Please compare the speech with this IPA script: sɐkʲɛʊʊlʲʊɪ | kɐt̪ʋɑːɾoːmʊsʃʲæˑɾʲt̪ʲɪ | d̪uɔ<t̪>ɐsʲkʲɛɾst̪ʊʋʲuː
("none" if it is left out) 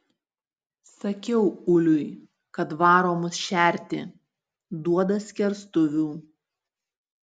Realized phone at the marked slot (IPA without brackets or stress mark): d̪